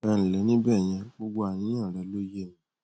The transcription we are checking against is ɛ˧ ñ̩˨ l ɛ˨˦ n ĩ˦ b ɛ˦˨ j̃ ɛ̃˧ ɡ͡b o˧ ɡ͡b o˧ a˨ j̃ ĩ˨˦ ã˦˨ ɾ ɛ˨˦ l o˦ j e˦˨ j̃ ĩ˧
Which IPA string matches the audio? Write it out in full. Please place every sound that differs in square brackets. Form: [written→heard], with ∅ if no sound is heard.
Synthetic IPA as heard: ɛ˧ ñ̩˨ l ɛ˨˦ n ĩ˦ b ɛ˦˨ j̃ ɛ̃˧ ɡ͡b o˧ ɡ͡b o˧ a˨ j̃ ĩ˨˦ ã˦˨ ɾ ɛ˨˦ l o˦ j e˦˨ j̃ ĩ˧